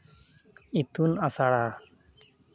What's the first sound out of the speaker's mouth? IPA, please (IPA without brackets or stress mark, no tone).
i